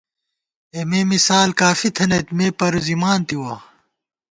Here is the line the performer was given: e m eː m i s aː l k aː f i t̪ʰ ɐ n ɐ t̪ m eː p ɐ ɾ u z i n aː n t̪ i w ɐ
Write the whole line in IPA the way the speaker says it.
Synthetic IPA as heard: e m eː m i s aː l k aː f i t̪ʰ ɐ n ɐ t̪ m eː p ɐ ɾ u z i m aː n t̪ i w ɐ